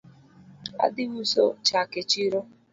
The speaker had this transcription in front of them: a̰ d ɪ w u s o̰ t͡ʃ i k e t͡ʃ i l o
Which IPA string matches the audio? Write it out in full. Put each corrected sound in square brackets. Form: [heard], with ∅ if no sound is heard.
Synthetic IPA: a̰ d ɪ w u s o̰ t͡ʃ [a] k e t͡ʃ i [ɾ] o